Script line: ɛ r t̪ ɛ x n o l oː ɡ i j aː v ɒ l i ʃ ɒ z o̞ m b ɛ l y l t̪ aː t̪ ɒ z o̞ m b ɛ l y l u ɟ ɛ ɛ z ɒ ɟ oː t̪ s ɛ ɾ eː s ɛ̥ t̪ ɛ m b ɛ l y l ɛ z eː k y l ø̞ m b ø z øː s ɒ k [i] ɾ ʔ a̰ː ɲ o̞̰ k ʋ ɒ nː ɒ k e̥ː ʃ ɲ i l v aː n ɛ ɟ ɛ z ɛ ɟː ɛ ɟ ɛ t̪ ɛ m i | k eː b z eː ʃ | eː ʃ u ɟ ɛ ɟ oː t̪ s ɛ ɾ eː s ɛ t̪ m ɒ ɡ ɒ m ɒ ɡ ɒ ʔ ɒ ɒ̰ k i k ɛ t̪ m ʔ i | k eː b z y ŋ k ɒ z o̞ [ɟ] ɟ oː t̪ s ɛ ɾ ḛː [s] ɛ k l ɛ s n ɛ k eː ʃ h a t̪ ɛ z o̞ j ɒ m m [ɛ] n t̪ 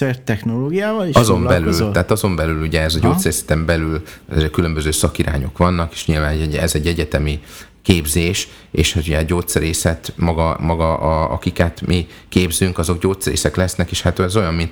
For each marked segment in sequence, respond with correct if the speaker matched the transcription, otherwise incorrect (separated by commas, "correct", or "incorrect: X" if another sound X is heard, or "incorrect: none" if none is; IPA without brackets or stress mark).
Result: correct, incorrect: ɡ, correct, incorrect: i